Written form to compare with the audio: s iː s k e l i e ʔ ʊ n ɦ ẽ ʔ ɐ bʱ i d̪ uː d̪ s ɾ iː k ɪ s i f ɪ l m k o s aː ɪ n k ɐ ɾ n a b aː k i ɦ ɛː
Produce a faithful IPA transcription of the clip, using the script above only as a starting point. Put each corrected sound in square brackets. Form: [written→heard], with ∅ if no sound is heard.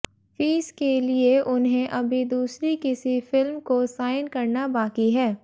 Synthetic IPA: [s→f] iː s k e l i e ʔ ʊ n ɦ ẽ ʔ ɐ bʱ i d̪ uː [d̪→∅] s ɾ [iː→i] k ɪ s i f ɪ l m k o s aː ɪ n k ɐ ɾ n a b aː k i ɦ ɛː